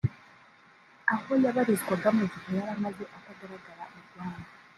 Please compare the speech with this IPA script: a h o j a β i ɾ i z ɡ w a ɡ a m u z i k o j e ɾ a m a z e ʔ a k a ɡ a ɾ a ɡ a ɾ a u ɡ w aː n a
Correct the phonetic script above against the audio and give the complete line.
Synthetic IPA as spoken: a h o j a β a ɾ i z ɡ w a ɡ a m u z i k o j a ɾ a m a z e ʔ a k a ɡ a ɾ a ɡ a ɾ a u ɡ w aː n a